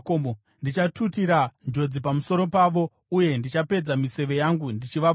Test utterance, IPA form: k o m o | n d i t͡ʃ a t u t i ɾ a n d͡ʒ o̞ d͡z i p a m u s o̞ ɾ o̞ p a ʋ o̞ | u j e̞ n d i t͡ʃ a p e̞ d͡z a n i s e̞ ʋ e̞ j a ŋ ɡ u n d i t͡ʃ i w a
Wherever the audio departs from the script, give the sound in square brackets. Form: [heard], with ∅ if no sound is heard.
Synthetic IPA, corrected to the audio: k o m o | n d i t͡ʃ a t u t i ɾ a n d͡ʒ o̞ d͡z i p a m u s o̞ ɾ o̞ p a ʋ o̞ | u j e̞ n d i t͡ʃ a p e̞ d͡z a [m] i s e̞ ʋ e̞ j a ŋ ɡ u n d i t͡ʃ i [ʋ] a

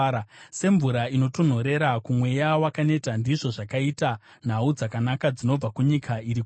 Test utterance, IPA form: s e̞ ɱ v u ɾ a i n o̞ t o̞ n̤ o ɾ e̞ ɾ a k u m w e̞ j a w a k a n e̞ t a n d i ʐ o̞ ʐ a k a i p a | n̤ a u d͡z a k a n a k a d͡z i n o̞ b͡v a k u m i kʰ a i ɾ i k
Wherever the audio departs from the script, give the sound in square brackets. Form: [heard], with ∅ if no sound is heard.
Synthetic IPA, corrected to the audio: s e̞ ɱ v u ɾ a i n o̞ t o̞ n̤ o ɾ e̞ ɾ a k u m w e̞ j a w a k a n e̞ t a n d i ʐ o̞ ʐ a k a i [t] a | n̤ a u d͡z a k a n a k a d͡z i n o̞ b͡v a k u [ɲ] i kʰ a i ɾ i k

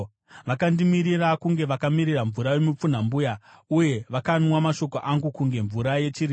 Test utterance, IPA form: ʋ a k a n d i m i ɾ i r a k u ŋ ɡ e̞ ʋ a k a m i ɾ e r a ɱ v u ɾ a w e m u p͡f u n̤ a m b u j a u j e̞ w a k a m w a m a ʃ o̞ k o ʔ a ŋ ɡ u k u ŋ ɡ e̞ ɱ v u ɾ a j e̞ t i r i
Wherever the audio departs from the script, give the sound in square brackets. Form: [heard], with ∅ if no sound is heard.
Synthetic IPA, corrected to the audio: ʋ a k a n d i m i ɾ i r a k u ŋ ɡ e̞ ʋ a k a m i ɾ [i] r a ɱ v u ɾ a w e m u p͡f u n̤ a m b u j a u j e̞ [ʋ] a k a [n] w a m a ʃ o̞ k o ʔ a ŋ ɡ u k u ŋ ɡ e̞ ɱ v u ɾ a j e̞ [t͡ʃ] i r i

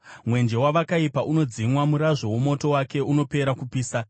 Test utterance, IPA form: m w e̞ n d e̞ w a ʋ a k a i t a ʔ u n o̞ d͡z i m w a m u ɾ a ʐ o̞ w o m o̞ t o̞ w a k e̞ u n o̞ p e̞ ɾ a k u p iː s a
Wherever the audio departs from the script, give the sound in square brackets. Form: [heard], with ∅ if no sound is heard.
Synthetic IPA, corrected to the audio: m w e̞ n [d͡ʒ] e̞ w a ʋ a k a i [p] a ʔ u n o̞ d͡z i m w a m u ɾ a ʐ o̞ w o m o̞ t o̞ w a k e̞ u n o̞ p e̞ ɾ a k u p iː s a

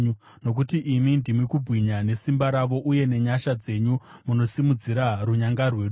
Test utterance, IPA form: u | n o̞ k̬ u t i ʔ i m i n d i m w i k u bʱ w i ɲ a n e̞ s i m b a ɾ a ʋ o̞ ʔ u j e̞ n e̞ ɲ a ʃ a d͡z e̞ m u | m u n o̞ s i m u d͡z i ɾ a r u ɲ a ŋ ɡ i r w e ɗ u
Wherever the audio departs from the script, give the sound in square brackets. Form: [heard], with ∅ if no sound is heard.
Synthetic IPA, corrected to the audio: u | n o̞ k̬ u t i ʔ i m i n d i m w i k u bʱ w i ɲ a n e̞ s i m b a ɾ a ʋ o̞ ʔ u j e̞ n e̞ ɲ a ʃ a d͡z e̞ [ɲ] u | m u n o̞ s i m u d͡z i ɾ a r u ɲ a ŋ ɡ [a] r w e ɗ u

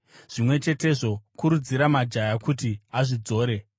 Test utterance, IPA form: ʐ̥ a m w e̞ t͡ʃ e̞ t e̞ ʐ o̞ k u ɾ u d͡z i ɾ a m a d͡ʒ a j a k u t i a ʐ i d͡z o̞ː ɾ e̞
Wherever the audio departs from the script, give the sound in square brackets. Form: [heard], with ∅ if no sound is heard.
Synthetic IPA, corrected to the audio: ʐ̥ [i] m w e̞ t͡ʃ e̞ t e̞ ʐ o̞ k u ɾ u d͡z i ɾ a m a d͡ʒ a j a k u t i a ʐ i d͡z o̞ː ɾ e̞

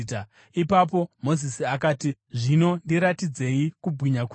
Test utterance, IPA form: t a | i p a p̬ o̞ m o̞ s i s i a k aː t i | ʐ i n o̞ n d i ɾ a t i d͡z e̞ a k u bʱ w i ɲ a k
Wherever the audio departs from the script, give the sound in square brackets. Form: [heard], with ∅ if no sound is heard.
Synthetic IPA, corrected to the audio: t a | i p a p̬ o̞ m o̞ [z] i s i a k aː t i | ʐ i n o̞ n d i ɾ a t i d͡z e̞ [i] k u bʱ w i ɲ a k

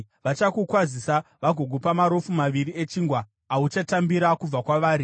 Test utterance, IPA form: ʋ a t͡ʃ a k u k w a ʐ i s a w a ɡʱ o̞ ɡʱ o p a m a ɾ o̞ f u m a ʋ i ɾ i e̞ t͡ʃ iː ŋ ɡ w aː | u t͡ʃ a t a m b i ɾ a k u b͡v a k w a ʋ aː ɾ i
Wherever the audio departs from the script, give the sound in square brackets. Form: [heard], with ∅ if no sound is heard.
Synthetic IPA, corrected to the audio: ʋ a t͡ʃ a k u k w a [z] i s a [ʋ] a ɡʱ o̞ ɡʱ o p a m a ɾ o̞ f u m a ʋ i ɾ i e̞ t͡ʃ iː ŋ ɡ w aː | u t͡ʃ a t a m b i ɾ a k u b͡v a k w a ʋ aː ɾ i

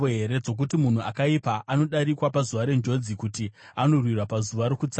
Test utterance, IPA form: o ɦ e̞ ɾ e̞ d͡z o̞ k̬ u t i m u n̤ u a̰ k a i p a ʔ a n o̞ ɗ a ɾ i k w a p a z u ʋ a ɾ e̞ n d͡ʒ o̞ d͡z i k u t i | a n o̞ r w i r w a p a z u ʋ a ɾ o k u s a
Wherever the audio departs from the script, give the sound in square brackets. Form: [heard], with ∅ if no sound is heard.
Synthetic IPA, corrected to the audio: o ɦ e̞ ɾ e̞ d͡z o̞ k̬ u t i m u n̤ u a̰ k a i p a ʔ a n o̞ ɗ a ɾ i k w a p a z u ʋ a ɾ e̞ n d͡ʒ o̞ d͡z i k u t i | a n o̞ r w i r w a p a z u ʋ a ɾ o k u [t͡s] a

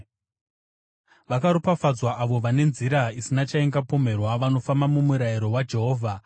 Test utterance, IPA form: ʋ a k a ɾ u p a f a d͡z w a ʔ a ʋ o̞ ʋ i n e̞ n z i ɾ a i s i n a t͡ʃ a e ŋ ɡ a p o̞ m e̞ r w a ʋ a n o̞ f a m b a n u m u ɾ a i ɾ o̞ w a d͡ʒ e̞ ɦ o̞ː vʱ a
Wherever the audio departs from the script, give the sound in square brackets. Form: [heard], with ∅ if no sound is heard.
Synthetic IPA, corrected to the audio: ʋ a k a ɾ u p a f a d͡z w a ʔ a ʋ o̞ ʋ [a] n e̞ n z i ɾ a i s i n a t͡ʃ a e ŋ ɡ a p o̞ m e̞ r w a ʋ a n o̞ f a m b a [m] u m u ɾ a i ɾ o̞ w a d͡ʒ e̞ ɦ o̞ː vʱ a

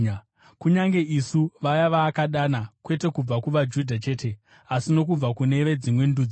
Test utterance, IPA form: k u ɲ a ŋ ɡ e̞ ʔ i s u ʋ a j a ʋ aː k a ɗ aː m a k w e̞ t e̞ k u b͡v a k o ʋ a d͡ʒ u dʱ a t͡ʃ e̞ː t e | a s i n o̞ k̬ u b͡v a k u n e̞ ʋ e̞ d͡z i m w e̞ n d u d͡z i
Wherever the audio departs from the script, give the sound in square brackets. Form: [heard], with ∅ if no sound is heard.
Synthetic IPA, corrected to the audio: k u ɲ a ŋ ɡ e̞ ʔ i s u ʋ a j a ʋ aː k a ɗ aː [n] a k w e̞ t e̞ k u b͡v a k [u] ʋ a d͡ʒ u dʱ a t͡ʃ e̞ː t e | a s i n o̞ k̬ u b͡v a k u n e̞ ʋ e̞ d͡z i m w e̞ n d u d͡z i

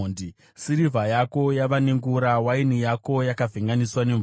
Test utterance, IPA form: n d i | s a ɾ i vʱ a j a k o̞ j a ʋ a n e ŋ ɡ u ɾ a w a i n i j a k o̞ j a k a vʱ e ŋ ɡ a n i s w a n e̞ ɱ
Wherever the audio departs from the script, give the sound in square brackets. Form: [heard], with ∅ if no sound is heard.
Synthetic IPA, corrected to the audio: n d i | s [i] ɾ i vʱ a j a k o̞ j a ʋ a n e ŋ ɡ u ɾ a w a i n i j a k o̞ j a k a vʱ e ŋ ɡ a n i s w a n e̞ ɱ

